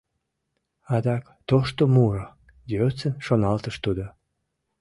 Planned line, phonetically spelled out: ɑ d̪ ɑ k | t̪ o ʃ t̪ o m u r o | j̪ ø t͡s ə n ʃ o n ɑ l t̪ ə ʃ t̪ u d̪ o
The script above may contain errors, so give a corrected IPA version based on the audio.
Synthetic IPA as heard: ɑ d̪ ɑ k | t̪ o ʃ t̪ o m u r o | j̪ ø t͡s ə n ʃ o n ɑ l t̪ ə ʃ t̪ u d̪ o